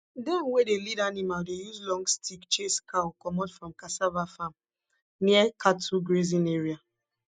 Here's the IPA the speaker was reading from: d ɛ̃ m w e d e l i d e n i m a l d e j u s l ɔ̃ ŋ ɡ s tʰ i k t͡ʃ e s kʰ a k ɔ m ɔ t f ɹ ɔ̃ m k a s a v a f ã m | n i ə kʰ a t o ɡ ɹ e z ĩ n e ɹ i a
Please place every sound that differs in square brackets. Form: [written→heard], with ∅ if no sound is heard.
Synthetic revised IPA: d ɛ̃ m w e d e l i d [e→a] n i m a l d e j u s l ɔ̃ ŋ ɡ s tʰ i k t͡ʃ e s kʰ a k ɔ m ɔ t f ɹ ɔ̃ m k a s a v a f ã m | n i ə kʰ a t [o→u] ɡ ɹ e z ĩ n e ɹ i a